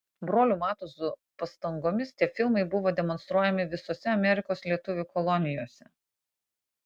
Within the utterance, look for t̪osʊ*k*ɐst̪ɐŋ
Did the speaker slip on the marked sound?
yes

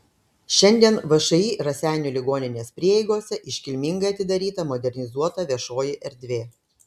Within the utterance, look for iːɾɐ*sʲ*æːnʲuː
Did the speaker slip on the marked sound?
no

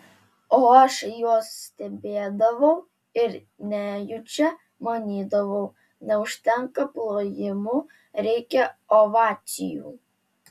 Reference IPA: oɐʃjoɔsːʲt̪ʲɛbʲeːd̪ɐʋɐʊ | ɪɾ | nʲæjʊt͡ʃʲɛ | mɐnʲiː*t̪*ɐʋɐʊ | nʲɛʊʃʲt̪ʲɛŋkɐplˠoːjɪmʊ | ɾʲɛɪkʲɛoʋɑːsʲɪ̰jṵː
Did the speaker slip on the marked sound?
yes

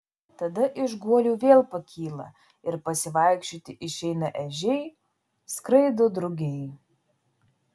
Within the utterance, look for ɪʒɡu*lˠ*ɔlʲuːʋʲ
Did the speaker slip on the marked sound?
yes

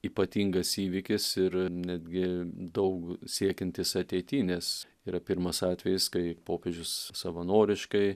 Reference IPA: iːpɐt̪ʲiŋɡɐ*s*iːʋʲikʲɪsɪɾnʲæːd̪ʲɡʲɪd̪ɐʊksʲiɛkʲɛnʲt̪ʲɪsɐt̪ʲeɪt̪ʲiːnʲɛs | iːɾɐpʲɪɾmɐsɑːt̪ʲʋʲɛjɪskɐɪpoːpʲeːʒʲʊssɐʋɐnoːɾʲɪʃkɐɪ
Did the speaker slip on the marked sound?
no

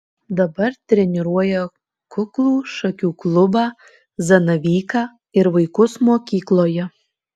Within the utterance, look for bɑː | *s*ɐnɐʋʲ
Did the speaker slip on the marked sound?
yes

